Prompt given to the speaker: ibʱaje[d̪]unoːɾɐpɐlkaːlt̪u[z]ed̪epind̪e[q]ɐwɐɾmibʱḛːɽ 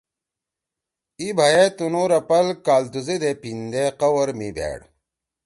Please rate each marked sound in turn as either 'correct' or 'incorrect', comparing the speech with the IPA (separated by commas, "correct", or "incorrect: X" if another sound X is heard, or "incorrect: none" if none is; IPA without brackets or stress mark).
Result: incorrect: t̪, correct, correct